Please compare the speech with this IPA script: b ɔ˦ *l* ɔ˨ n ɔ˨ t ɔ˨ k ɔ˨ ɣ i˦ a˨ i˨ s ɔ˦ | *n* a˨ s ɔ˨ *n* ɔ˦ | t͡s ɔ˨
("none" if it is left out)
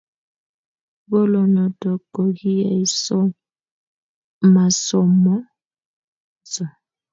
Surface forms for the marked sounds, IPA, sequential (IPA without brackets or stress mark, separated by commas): l, m, m